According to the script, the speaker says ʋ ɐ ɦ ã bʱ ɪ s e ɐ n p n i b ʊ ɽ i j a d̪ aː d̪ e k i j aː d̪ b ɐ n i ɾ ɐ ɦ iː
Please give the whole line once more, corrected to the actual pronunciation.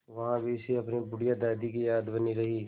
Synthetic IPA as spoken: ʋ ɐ ɦ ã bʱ i s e ɐ p n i b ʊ ɽ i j a d̪ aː d̪ i k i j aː d̪ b ɐ n i ɾ ɐ ɦ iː

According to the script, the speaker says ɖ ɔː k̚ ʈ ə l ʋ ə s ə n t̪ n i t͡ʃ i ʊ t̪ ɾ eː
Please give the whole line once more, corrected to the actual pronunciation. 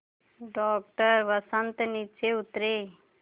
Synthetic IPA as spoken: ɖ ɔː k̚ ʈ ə ɾ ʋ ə s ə n t̪ n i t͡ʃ e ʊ t̪ ɾ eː

